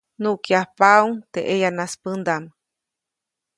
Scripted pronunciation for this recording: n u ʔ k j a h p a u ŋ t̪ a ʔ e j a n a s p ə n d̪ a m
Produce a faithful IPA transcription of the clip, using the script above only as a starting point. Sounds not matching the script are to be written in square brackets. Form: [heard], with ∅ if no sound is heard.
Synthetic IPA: n u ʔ k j a h p a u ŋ t̪ [e] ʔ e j a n a s p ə n d̪ a m